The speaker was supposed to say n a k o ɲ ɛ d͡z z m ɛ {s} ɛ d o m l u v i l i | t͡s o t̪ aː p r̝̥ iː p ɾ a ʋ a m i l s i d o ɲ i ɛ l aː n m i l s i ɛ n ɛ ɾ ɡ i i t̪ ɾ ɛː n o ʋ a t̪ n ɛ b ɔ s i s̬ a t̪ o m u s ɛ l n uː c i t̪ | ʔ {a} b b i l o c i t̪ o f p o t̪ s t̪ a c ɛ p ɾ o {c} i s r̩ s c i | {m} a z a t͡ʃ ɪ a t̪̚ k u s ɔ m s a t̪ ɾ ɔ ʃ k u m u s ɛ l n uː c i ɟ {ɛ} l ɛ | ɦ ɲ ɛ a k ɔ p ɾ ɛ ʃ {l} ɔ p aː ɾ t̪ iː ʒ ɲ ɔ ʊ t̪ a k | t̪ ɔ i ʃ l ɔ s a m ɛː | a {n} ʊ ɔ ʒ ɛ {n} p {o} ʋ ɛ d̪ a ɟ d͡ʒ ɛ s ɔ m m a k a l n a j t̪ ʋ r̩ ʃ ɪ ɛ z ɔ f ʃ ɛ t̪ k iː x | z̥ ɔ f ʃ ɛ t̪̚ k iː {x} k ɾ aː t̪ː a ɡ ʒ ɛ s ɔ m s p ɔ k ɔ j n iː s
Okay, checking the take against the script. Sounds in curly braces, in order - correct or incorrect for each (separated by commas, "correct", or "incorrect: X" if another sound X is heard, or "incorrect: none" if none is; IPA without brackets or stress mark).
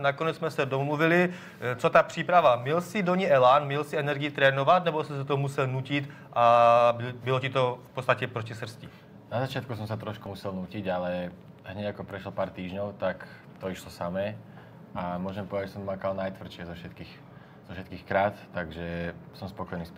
correct, correct, correct, incorrect: n, incorrect: a, correct, incorrect: m, incorrect: m, incorrect: ɔ, correct